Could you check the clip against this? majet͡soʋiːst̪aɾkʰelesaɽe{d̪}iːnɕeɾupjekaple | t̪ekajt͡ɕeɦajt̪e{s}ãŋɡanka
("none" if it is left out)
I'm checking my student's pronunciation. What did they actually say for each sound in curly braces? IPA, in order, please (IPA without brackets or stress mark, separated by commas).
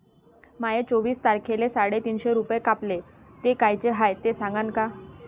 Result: t̪, s